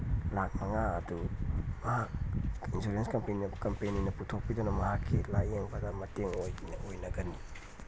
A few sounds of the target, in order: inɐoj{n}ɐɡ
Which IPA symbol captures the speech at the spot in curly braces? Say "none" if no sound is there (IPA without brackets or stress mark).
n